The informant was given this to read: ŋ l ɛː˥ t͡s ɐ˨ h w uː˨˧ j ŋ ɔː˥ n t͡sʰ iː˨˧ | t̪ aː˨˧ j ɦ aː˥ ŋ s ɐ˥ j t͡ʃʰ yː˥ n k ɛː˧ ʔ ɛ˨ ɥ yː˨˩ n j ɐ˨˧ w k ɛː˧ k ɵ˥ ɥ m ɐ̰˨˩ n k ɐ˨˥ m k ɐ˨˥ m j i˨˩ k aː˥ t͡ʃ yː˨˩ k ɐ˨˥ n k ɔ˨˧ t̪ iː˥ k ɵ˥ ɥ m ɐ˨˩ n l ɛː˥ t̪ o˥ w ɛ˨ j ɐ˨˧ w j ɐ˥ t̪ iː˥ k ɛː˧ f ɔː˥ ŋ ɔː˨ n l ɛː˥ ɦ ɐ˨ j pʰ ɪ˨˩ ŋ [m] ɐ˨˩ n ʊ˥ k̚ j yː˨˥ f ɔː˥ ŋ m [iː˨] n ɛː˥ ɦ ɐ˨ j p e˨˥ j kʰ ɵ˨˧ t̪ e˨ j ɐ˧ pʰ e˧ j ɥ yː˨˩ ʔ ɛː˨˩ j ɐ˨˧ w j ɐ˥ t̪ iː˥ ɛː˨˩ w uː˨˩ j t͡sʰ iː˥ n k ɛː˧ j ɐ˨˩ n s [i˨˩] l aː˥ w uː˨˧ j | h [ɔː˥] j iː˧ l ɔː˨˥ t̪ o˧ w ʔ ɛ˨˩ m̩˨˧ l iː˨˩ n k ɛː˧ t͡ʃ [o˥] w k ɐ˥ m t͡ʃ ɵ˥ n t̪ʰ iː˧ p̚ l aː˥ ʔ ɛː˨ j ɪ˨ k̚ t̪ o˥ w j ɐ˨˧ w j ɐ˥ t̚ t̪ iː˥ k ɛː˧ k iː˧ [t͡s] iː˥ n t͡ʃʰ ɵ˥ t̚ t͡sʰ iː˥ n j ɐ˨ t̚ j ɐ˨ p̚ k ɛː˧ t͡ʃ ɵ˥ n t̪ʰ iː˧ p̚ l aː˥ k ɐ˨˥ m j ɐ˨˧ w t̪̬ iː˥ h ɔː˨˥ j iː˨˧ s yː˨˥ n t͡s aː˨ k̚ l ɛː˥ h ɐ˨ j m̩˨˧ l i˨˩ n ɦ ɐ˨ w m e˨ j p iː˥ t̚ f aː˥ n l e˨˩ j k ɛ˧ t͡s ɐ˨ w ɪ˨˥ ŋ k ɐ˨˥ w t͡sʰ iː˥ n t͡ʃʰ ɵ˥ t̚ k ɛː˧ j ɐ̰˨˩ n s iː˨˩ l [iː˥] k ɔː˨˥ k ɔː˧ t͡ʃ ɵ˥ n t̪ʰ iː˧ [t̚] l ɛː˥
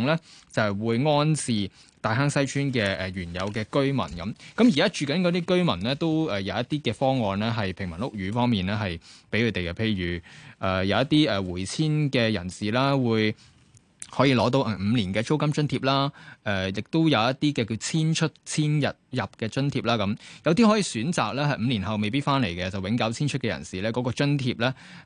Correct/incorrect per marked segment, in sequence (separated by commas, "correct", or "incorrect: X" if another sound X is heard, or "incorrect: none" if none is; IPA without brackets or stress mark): correct, correct, incorrect: iː˨˩, incorrect: ɔː˨˥, correct, incorrect: t͡sʰ, incorrect: ɛː˥, incorrect: p̚